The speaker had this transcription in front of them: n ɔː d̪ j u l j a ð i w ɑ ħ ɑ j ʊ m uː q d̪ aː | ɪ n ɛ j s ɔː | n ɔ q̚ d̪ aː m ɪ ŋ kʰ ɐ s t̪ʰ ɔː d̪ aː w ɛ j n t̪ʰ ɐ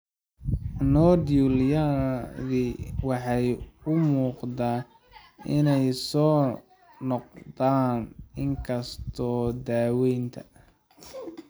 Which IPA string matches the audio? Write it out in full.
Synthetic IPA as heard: n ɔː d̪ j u l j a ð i w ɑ ħ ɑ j ʊ m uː q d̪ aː | ɪ n ɛ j s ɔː | n ɔ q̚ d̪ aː n ɪ ŋ kʰ ɐ s t̪ʰ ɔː d̪ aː w ɛ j n t̪ʰ ɐ

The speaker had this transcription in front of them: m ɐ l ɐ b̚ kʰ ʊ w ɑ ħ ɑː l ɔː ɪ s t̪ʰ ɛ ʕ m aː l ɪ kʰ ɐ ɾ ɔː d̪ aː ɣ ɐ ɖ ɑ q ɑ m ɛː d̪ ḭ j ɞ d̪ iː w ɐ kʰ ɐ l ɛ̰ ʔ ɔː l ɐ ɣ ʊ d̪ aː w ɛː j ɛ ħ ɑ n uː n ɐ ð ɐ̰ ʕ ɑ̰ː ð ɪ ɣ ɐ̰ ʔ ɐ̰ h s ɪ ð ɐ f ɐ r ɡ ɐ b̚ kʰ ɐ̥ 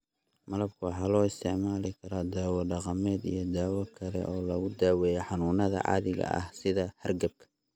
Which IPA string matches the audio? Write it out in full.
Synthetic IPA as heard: m ɐ l ɐ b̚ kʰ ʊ w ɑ ħ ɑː l ɔː ɪ s t̪ʰ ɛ ʕ m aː l ɪ kʰ ɐ ɾ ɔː d̪ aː w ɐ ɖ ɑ q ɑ m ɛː d̪ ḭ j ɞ d̪ aː w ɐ kʰ ɐ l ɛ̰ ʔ ɔː l ɐ ɣ ʊ d̪ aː w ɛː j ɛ ħ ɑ n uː n ɐ ð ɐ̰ ʕ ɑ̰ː ð ɪ ɣ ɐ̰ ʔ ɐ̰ h s ɪ ð ɐ h ɐ r ɡ ɐ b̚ kʰ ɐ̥

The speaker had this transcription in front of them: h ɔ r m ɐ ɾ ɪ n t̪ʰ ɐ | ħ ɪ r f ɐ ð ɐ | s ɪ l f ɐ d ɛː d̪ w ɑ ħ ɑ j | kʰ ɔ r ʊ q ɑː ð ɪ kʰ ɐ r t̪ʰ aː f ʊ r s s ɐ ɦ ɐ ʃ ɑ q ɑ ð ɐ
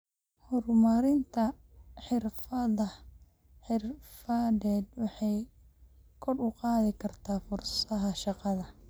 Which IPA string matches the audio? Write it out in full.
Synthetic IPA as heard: h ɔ r m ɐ ɾ ɪ n t̪ʰ ɐ | ħ ɪ r f ɐ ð ɐ | ħ ɪ r f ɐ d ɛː d̪ w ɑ ħ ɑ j | kʰ ɔ r ʊ q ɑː ð ɪ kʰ ɐ r t̪ʰ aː f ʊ r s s ɐ ɦ ɐ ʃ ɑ q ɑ ð ɐ

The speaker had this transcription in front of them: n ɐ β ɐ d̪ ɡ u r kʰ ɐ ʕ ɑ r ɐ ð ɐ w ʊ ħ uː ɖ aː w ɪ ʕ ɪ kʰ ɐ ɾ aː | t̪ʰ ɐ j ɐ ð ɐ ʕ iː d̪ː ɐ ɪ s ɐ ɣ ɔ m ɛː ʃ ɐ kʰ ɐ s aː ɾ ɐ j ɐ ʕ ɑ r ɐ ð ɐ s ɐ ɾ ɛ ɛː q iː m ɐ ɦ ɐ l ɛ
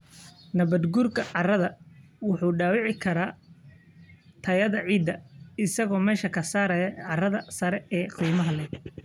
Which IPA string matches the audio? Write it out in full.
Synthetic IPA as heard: n ɐ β ɐ d̪ ɡ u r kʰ ɐ ʕ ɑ r ɐ ð ɐ w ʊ ħ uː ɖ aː w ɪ ʕ ɪ kʰ ɐ ɾ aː | t̪ʰ ɐ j ɐ ð ɐ ʕ iː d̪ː ɐ ɪ s ɐ ɣ ɔː m ɛː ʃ ɐ kʰ ɐ s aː ɾ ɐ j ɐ ʕ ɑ r ɐ ð ɐ s ɐ ɾ ɛ ɛː q iː m ɐ ɦ ɐ l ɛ

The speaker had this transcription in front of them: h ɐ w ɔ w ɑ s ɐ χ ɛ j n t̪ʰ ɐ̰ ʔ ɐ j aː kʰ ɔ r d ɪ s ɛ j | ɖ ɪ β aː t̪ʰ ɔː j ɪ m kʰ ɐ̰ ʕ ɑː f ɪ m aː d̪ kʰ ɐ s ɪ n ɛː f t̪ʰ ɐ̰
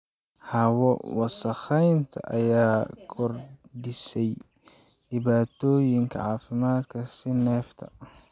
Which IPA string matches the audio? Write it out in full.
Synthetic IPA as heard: h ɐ w ɔ w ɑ s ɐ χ ɛ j n t̪ʰ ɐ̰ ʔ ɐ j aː kʰ ɔ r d ɪ s ɛ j | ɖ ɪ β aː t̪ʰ ɔː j ɪ ŋ kʰ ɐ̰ ʕ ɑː f ɪ m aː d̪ kʰ ɐ s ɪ n ɛː f t̪ʰ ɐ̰

